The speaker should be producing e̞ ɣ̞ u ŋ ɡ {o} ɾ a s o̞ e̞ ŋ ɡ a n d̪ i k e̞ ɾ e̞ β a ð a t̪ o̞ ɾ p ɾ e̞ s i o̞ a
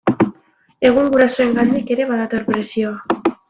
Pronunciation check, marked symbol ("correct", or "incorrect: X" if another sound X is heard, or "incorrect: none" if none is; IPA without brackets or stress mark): incorrect: u